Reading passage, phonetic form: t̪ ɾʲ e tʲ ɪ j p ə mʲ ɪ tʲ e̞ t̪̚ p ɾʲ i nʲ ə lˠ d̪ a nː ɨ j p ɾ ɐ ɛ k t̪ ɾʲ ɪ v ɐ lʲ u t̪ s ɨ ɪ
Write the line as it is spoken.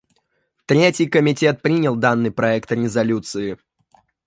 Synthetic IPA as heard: t̪ ɾʲ e tʲ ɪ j k ə mʲ ɪ tʲ e̞ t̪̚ p ɾʲ i nʲ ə lˠ d̪ a nː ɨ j p ɾ ɐ ɛ k t̪ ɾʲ ɪ z ɐ lʲ u t̪ s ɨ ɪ